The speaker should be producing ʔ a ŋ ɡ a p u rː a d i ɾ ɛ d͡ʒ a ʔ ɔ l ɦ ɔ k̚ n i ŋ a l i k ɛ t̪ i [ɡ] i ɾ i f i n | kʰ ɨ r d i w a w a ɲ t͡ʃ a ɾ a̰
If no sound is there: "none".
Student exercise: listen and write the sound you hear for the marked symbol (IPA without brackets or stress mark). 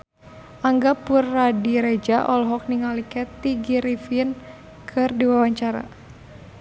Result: ɡ